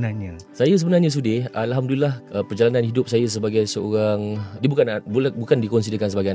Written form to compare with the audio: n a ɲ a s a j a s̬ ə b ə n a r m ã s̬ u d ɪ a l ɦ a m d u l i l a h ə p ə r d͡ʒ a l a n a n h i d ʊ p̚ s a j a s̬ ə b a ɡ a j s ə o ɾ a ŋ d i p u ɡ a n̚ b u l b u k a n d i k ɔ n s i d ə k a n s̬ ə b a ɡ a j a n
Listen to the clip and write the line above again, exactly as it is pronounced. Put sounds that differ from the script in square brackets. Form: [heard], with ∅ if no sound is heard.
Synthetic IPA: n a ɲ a s a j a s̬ ə b ə n a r [ɲ] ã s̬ u d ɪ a l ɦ a m d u l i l a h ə p ə r d͡ʒ a l a n a n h i d ʊ p̚ s a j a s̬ ə b a ɡ a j s ə o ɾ a ŋ d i [b] u [k] a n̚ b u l b u k a n d i k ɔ n s i d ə k a n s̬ ə b a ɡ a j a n